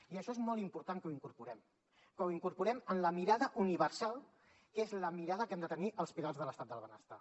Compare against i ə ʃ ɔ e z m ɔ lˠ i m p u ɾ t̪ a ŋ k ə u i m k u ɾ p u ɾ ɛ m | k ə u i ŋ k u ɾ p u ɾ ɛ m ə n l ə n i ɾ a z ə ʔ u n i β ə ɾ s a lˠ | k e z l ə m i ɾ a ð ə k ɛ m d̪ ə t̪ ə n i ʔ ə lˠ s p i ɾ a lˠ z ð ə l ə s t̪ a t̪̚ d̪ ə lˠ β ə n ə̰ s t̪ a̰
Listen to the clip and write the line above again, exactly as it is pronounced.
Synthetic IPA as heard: i ə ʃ ɔ e z m ɔ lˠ i m p u ɾ t̪ a ŋ k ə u i ŋ k u ɾ p u ɾ ɛ m | k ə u i ŋ k u ɾ p u ɾ ɛ m ə n l ə m i ɾ a ð ə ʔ u n i β ə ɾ s a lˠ | k e z l ə m i ɾ a ð ə k ɛ m d̪ ə t̪ ə n i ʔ ə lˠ s p i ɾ a lˠ z ð ə l ə s t̪ a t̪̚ d̪ ə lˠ β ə n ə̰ s t̪ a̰